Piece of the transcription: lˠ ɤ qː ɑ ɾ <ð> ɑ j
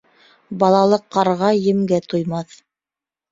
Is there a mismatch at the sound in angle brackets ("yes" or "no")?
yes